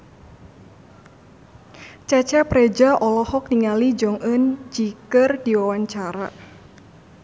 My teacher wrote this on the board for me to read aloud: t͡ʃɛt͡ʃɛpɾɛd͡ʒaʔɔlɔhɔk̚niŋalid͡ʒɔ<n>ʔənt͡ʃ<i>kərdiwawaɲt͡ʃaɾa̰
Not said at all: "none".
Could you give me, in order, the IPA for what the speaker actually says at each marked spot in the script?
ŋ, i

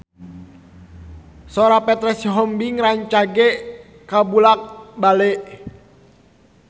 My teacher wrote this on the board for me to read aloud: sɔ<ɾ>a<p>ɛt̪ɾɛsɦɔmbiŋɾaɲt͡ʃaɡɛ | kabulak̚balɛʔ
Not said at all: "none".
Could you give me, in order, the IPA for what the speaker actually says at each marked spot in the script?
ɾ, p

